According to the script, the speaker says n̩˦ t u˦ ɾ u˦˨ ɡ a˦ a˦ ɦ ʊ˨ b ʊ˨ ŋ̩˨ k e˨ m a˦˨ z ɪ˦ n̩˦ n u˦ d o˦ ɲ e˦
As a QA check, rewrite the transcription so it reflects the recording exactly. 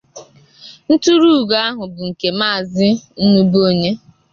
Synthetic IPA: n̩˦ t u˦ ɾ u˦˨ ɡ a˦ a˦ ɦ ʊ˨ b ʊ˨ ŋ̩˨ k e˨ m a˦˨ z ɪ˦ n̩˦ n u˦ b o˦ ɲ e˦